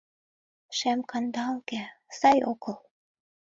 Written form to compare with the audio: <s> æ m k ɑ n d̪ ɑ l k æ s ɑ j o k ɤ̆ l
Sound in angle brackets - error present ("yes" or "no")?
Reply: yes